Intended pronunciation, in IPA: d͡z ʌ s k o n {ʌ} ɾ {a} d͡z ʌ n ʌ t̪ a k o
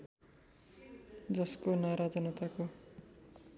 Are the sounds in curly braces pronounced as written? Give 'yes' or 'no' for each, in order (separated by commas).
no, yes